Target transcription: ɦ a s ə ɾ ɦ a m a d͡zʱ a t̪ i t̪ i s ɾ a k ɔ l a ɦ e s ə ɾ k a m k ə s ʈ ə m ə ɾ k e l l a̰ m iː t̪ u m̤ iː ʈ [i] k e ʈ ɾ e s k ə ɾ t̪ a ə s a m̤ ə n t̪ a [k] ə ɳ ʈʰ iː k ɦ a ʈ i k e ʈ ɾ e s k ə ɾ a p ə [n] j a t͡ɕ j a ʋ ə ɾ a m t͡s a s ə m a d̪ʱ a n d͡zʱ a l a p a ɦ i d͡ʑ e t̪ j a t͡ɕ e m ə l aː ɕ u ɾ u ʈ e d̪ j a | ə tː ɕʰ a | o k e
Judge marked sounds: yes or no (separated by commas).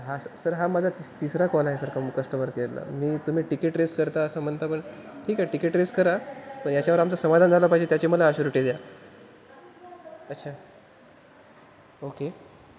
yes, no, no